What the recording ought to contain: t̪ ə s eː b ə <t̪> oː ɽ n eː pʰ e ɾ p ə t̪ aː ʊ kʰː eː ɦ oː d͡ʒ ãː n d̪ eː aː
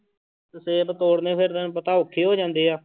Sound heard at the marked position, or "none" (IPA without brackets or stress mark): t̪